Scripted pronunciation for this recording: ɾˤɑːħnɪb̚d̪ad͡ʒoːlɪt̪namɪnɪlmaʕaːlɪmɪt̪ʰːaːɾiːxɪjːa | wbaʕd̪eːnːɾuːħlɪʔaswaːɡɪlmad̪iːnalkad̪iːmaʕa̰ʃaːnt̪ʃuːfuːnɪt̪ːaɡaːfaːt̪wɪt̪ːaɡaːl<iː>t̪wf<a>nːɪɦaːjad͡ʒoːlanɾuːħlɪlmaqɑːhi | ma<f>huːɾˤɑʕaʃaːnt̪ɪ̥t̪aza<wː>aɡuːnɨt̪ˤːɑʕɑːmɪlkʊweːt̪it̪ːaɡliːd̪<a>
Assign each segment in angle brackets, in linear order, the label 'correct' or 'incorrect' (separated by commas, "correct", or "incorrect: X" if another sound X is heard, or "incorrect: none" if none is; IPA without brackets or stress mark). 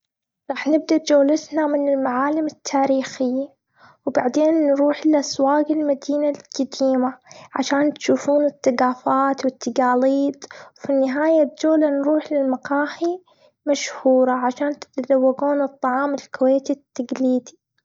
correct, incorrect: i, incorrect: ʃ, correct, incorrect: i